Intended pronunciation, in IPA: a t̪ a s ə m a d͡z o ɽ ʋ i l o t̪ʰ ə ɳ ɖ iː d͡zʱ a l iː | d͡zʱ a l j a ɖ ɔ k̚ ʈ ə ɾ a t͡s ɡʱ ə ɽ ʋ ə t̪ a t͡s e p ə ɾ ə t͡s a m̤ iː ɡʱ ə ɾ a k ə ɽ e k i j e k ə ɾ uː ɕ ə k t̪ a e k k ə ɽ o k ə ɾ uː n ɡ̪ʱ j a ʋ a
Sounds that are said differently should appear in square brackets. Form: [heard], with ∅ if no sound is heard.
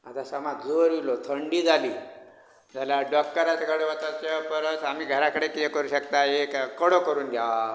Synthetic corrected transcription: a t̪ a s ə m a d͡z o [ɾ] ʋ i l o t̪ʰ ə ɳ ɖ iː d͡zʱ a l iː | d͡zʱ a l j a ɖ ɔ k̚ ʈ ə ɾ a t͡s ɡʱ ə ɽ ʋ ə t̪ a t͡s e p ə ɾ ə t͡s a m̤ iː ɡʱ ə ɾ a k ə ɽ e k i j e k ə ɾ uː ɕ ə k t̪ a e k k ə ɽ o k ə ɾ uː n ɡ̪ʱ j a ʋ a